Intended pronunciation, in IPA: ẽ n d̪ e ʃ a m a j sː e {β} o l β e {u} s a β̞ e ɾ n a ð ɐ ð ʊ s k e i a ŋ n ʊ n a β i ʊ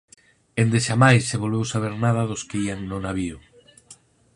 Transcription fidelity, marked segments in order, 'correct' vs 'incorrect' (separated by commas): correct, incorrect